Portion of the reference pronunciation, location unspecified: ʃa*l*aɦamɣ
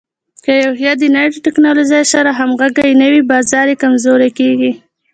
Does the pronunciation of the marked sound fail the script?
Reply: yes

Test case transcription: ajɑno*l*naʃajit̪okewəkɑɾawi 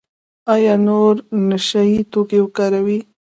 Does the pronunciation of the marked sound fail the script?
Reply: yes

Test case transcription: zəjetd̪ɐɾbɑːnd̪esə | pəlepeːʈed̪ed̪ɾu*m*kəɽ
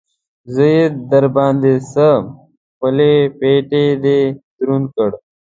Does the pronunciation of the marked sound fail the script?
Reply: yes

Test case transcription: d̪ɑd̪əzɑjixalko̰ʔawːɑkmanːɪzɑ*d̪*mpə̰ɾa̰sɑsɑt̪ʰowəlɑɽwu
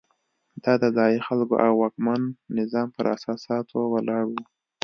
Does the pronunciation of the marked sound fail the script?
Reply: yes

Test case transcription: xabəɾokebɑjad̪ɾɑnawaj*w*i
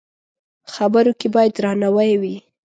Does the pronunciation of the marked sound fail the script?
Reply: no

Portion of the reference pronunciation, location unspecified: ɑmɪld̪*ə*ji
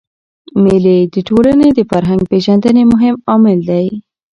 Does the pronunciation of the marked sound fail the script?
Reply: yes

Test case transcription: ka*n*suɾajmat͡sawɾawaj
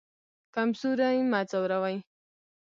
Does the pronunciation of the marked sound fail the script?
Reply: yes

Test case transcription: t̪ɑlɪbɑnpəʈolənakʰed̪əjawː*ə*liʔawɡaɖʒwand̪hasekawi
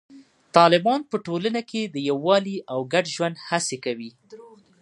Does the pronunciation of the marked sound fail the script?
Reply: yes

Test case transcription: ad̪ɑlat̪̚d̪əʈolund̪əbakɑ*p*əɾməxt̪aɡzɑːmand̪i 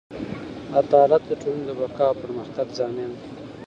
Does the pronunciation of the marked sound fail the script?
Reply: no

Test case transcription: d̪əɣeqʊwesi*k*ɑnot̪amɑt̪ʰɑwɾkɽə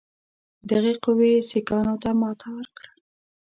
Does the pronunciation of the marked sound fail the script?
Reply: no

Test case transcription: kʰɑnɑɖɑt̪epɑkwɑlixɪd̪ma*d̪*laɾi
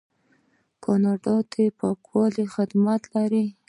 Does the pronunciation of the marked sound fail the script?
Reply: yes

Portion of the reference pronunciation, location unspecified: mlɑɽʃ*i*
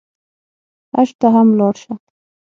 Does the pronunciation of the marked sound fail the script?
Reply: yes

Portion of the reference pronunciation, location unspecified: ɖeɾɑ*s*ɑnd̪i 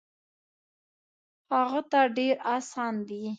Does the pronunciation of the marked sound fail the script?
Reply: no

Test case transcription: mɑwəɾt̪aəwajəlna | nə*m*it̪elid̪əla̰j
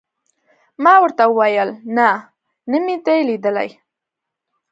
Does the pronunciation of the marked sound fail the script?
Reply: no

